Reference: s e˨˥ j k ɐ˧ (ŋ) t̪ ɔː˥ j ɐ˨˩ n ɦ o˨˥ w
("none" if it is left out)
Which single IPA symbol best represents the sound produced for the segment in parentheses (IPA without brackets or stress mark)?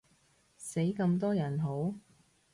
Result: m